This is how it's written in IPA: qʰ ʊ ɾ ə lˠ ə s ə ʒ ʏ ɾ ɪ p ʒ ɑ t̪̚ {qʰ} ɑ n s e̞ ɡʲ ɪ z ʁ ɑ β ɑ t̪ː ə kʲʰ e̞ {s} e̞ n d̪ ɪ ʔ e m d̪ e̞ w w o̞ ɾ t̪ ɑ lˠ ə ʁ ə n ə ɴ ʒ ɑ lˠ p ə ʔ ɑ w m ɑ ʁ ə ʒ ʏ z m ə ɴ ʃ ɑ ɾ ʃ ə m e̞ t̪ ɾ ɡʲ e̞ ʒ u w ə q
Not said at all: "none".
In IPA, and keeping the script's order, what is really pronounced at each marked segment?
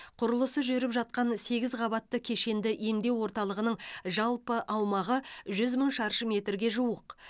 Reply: q, ʃ

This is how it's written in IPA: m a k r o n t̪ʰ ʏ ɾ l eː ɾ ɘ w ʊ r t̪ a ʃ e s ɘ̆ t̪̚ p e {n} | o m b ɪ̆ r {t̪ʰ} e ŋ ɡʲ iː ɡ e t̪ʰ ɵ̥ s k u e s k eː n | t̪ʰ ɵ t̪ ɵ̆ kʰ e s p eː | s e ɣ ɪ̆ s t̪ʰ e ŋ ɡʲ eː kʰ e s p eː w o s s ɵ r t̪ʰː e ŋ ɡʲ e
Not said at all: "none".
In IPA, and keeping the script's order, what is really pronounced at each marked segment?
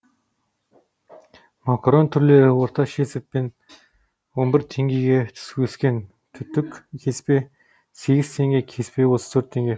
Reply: n, t̪ʰ

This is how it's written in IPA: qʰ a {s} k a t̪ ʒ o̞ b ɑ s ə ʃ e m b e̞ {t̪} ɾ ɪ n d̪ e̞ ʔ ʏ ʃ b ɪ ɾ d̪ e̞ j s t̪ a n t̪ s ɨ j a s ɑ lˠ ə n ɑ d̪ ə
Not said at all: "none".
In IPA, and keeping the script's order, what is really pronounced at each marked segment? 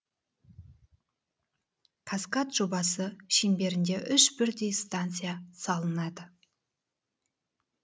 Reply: s, none

